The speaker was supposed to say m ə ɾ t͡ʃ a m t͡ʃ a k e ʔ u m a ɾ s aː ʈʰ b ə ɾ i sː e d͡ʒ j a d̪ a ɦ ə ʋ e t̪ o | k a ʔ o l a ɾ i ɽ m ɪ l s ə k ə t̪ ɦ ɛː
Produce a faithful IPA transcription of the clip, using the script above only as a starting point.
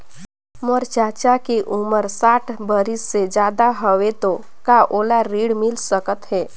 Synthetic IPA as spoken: m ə ɾ t͡ʃ a t͡ʃ a k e ʔ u m ə ɾ s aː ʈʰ b ə ɾ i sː e d͡ʒ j a d̪ a ɦ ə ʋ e t̪ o | k a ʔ o l a ɾ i ɽ m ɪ l s ə k ə t̪ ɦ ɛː